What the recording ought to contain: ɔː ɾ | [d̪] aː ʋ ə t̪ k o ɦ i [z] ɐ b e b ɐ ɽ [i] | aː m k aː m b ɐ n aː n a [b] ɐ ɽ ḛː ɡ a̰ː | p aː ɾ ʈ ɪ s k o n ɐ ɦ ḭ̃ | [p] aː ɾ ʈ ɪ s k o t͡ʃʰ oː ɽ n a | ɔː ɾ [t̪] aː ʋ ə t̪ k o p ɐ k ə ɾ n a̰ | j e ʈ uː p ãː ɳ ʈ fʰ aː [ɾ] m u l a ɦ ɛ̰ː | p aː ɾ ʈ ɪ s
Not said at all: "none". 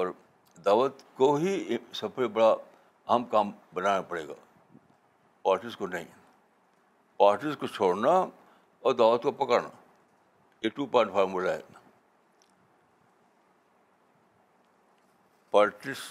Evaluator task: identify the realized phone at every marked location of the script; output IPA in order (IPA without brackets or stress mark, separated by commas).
d̪, s, a, p, p, d̪, ɾ